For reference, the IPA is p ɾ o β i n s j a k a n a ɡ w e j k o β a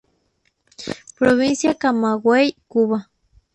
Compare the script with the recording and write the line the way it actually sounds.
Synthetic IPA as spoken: p ɾ o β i n s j a k a m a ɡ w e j k u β a